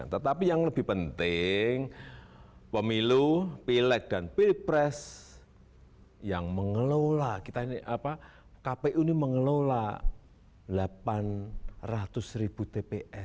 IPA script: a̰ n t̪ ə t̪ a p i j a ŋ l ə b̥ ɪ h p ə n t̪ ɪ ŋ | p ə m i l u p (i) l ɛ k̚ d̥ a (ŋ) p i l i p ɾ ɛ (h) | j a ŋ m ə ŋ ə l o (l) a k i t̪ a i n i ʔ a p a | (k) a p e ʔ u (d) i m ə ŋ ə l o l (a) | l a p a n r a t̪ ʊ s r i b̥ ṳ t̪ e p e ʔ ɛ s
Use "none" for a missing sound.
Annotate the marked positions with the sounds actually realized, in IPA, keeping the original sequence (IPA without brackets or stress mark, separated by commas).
i, n, s, l, k, n, a